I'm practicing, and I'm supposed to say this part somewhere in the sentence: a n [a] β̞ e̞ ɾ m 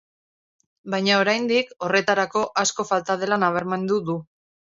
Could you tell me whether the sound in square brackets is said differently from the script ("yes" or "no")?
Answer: no